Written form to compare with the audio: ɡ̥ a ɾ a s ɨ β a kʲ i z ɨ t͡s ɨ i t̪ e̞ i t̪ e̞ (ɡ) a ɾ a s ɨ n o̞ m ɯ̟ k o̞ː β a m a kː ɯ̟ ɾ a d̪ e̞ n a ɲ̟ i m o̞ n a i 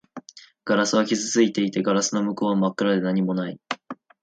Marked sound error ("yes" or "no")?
no